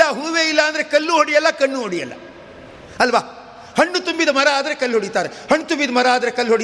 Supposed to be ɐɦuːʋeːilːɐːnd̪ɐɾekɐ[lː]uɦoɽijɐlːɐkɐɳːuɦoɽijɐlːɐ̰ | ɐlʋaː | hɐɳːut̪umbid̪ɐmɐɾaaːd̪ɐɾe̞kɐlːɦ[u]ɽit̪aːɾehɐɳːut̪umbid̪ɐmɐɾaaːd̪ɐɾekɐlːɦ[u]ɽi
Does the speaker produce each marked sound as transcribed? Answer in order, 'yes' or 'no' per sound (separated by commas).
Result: yes, no, no